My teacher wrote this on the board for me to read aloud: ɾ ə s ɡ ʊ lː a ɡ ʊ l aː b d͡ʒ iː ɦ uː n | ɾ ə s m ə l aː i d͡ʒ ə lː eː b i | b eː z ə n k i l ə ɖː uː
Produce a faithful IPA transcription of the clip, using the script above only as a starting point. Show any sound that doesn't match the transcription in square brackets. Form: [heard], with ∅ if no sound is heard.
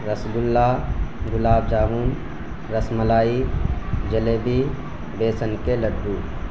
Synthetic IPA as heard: ɾ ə s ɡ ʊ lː a ɡ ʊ l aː b d͡ʒ [aː] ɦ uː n | ɾ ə s m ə l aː i d͡ʒ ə [l] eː b i | b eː [s] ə n k [e] l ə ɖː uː